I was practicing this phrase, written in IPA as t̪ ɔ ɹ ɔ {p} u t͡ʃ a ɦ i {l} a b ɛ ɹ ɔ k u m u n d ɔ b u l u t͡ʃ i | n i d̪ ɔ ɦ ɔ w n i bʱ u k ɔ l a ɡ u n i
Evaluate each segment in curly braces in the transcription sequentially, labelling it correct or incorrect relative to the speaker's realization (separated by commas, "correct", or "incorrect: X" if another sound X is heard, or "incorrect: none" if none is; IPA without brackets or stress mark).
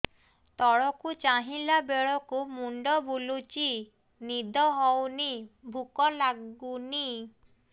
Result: incorrect: k, correct